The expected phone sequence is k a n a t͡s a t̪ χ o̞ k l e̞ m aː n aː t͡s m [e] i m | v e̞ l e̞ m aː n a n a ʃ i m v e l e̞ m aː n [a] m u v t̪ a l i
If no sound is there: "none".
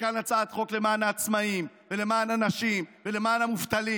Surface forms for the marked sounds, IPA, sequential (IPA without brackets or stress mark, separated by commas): a, a